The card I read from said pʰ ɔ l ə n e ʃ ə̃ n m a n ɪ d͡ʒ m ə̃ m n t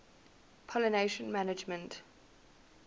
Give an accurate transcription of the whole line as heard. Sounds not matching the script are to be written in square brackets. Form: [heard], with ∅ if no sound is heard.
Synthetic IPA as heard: pʰ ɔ l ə n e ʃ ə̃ n m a n ɪ d͡ʒ m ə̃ [∅] n t